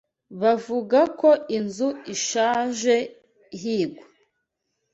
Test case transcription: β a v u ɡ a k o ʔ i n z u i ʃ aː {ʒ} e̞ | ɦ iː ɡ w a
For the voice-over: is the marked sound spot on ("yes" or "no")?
yes